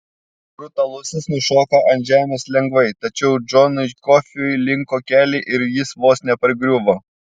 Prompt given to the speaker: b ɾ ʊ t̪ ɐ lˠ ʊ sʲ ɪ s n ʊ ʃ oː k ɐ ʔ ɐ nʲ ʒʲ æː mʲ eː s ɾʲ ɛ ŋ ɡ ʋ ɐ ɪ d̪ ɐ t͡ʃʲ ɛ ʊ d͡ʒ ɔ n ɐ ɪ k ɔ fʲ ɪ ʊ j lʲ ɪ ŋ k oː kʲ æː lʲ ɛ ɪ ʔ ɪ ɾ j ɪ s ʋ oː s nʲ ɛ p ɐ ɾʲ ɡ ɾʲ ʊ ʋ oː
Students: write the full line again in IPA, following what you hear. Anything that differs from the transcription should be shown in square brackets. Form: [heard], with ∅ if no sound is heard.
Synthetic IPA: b ɾ ʊ t̪ ɐ lˠ ʊ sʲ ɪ s n ʊ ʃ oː k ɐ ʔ ɐ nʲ ʒʲ æː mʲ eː s [lʲ] ɛ ŋ ɡ ʋ ɐ ɪ [t̪] ɐ t͡ʃʲ ɛ ʊ d͡ʒ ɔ n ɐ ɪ k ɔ fʲ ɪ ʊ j lʲ ɪ ŋ k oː kʲ æː lʲ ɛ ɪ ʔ ɪ ɾ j ɪ s ʋ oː s nʲ ɛ p ɐ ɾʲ ɡ ɾʲ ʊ ʋ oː